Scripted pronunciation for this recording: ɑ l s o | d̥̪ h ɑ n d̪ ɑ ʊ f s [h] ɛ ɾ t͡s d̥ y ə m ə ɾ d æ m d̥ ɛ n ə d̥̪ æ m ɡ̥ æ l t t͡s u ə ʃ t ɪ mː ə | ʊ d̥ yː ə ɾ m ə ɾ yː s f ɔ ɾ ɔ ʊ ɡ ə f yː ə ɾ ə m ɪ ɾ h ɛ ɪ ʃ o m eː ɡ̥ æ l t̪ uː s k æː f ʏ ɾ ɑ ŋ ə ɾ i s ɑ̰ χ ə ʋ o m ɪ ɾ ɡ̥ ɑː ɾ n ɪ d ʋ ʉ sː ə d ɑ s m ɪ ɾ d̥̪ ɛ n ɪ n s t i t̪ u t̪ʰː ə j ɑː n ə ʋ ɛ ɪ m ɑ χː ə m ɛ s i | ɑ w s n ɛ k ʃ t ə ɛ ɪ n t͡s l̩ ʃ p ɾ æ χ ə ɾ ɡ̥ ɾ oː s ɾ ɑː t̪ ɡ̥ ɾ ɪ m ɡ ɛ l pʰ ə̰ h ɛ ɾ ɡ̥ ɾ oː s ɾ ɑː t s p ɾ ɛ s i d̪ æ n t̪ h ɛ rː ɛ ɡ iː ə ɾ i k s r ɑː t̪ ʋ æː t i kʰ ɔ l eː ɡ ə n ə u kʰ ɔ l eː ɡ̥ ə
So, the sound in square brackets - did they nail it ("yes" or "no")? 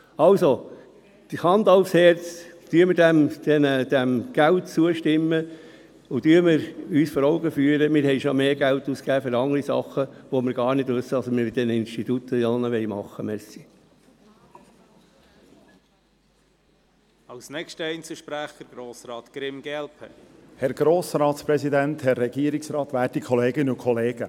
yes